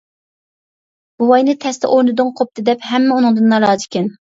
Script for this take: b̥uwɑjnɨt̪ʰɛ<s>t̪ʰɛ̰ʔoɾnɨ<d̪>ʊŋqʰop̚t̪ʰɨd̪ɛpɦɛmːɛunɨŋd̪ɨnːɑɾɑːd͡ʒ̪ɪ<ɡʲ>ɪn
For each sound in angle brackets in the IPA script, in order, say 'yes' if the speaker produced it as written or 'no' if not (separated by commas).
yes, yes, no